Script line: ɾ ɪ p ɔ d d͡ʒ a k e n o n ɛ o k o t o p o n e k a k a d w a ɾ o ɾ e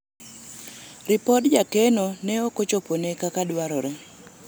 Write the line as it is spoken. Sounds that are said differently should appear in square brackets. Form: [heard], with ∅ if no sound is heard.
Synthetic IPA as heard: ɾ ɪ p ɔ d d͡ʒ a k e n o n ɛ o k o [t͡ʃ] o p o n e k a k a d w a ɾ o ɾ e